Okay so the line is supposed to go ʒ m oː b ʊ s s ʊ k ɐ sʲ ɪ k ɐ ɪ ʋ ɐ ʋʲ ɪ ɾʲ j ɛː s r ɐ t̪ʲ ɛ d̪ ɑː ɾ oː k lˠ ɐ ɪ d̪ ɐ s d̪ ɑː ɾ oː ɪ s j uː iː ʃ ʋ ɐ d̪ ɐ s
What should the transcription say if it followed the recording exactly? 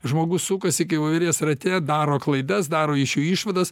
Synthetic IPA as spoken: ʒ m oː ɡ ʊ s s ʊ k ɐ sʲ ɪ k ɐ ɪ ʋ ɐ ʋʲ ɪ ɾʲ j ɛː s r ɐ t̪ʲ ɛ d̪ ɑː ɾ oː k lˠ ɐ ɪ d̪ ɐ s d̪ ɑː ɾ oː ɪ ʃ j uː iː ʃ ʋ ɐ d̪ ɐ s